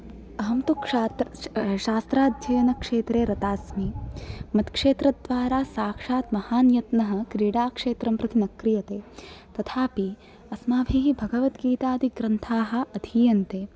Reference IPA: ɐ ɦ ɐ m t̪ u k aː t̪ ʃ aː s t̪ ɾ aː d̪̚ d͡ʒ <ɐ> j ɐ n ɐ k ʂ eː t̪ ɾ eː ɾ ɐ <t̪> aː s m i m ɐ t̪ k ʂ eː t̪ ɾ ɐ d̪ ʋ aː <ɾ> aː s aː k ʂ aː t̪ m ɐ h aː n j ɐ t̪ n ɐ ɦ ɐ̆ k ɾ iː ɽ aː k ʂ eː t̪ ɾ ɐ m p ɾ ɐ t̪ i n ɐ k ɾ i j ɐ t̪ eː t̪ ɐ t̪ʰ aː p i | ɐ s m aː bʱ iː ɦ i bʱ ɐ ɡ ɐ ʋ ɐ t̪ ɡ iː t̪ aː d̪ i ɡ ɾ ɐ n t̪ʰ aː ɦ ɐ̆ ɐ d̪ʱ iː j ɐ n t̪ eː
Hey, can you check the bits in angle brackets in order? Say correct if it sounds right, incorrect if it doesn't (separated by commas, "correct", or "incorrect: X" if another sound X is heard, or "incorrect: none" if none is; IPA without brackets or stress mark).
correct, correct, correct